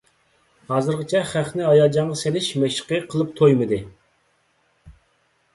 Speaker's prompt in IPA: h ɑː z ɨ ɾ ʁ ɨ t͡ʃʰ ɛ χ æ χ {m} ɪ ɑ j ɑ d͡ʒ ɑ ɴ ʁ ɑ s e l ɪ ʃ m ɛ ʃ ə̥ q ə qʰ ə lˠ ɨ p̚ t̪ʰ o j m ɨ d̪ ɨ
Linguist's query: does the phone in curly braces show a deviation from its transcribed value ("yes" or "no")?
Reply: yes